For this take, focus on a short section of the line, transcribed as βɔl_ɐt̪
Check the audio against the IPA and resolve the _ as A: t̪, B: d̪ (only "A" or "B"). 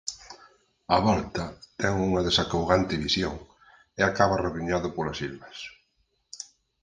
A